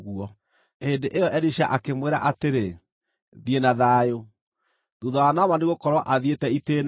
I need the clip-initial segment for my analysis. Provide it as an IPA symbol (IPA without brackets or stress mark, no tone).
ɣ